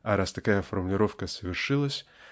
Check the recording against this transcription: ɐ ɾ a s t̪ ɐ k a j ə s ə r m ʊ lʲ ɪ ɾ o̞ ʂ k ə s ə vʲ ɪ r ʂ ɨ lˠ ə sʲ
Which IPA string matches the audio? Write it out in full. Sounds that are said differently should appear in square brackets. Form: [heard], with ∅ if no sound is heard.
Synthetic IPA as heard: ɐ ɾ a s t̪ ɐ k a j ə [f] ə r m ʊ lʲ ɪ ɾ o̞ [f] k ə s ə vʲ ɪ r ʂ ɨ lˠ ə sʲ